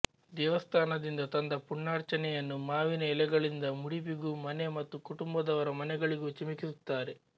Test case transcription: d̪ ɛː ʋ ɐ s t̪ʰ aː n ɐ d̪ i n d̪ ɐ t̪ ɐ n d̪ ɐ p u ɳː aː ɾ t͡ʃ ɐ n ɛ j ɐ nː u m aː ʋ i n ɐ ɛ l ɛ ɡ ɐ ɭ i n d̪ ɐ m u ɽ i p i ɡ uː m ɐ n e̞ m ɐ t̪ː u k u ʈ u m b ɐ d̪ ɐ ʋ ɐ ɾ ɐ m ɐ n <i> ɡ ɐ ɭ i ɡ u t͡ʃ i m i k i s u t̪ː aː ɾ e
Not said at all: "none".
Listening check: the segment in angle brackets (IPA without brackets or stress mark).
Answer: ɛ